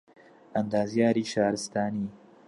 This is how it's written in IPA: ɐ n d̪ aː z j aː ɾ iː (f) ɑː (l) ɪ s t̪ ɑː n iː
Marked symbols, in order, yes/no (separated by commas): no, no